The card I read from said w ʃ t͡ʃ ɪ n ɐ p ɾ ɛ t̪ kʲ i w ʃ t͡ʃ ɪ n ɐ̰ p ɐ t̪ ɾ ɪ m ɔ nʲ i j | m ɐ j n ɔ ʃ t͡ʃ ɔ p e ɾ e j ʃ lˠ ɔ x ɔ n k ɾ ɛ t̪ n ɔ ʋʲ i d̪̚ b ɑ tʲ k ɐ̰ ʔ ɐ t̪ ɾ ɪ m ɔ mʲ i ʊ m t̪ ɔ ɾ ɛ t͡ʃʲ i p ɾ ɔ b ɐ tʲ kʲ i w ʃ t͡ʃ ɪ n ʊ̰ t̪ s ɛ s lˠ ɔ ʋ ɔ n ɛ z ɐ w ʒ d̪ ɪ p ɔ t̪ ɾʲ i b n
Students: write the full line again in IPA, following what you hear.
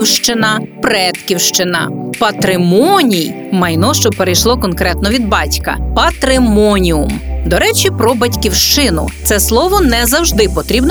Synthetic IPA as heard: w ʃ t͡ʃ ɪ n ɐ p ɾ ɛ t̪ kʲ i w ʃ t͡ʃ ɪ n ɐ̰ p ɐ t̪ ɾ ɪ m ɔ nʲ i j | m ɐ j n ɔ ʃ t͡ʃ ɔ p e ɾ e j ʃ lˠ ɔ k ɔ n k ɾ ɛ t̪ n ɔ ʋʲ i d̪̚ b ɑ tʲ k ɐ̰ p ɐ t̪ ɾ ɪ m ɔ nʲ i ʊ m d̪ ɔ ɾ ɛ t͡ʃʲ i p ɾ ɔ b ɐ tʲ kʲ i w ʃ t͡ʃ ɪ n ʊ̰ t̪ s ɛ s lˠ ɔ ʋ ɔ n ɛ z ɐ w ʒ d̪ ɪ p ɔ t̪ ɾʲ i b n